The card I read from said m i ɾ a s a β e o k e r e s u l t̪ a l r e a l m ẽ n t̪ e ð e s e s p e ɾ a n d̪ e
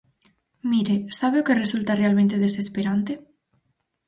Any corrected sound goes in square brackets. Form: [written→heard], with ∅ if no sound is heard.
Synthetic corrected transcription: m i ɾ [a→e] s a β e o k e r e s u l t̪ a [l→∅] r e a l m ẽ n t̪ e ð e s e s p e ɾ a n [d̪→t̪] e